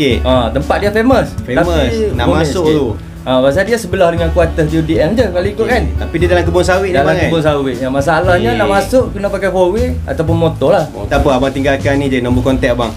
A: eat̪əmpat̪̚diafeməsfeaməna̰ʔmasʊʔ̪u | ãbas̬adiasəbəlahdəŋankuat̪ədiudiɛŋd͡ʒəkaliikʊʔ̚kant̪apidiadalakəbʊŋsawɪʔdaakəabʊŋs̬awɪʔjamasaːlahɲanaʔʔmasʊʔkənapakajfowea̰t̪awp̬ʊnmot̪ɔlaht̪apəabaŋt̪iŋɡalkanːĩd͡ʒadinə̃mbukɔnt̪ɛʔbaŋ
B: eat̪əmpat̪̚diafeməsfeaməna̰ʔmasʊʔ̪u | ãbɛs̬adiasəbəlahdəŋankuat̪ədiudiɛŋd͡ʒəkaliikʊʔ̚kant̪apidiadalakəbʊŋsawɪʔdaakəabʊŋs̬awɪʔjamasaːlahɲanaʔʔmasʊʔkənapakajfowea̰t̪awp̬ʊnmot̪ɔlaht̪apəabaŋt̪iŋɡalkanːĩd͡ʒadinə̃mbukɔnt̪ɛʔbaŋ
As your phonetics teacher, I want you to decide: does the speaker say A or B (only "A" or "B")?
A